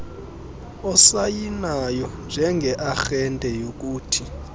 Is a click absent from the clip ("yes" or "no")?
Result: yes